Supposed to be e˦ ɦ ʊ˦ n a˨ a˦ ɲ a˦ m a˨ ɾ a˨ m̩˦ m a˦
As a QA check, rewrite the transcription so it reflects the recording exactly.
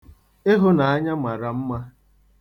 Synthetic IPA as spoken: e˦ ɦ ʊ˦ n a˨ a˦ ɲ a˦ m a˨ ɾ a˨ m̩˦ m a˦